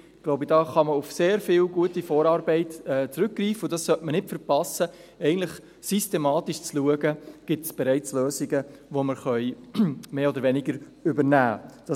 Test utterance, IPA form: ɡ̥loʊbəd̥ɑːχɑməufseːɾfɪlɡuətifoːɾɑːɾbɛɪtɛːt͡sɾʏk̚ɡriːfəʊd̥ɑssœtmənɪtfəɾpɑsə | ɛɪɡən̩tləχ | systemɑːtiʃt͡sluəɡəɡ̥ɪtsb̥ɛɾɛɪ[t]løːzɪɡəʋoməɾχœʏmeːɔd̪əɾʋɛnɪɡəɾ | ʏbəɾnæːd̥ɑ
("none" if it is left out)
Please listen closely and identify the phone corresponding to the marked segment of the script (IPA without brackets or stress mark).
t͡s